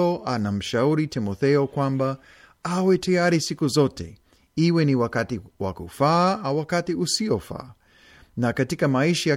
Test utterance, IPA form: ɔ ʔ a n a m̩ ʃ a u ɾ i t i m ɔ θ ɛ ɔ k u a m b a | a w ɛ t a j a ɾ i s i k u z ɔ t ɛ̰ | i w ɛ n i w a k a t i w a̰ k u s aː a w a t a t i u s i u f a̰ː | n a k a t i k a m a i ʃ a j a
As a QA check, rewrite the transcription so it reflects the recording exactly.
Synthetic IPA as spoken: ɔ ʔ a n a m̩ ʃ a u ɾ i t i m ɔ θ ɛ ɔ k w a m b a | a w ɛ t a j a ɾ i s i k u z ɔ t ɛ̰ | i w ɛ n i w a k a t i w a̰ k u f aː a w a k a t i u s i ɔ f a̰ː | n a k a t i k a m a i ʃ a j a